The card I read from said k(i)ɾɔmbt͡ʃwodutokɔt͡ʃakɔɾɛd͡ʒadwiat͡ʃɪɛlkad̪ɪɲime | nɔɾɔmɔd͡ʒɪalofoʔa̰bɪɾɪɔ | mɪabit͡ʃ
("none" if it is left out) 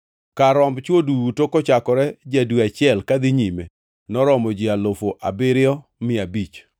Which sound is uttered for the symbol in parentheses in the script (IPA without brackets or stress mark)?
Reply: a